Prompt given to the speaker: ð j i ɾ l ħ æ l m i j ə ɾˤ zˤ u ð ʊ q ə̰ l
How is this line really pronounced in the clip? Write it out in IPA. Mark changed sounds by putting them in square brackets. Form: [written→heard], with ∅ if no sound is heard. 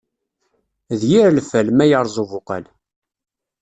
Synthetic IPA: ð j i ɾ l [ħ→f] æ l m [i→æ] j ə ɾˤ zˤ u [ð→v] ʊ q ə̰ l